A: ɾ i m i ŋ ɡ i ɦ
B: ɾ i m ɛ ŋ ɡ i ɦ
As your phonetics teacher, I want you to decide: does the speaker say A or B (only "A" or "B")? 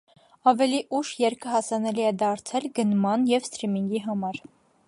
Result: A